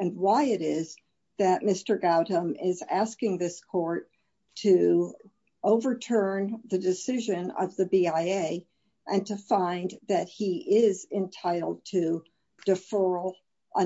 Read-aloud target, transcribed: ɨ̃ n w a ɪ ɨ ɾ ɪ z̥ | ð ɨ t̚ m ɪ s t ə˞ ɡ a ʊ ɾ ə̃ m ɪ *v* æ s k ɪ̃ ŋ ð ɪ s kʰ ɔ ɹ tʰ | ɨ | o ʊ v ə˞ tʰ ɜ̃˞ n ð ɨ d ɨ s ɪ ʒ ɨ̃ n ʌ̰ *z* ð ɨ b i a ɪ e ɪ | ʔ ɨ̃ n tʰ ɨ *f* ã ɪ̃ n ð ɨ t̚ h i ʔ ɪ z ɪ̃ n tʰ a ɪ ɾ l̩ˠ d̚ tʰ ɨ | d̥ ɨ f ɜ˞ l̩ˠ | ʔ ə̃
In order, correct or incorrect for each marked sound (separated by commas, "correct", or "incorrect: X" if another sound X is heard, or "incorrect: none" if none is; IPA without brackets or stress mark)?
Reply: incorrect: z, incorrect: v, correct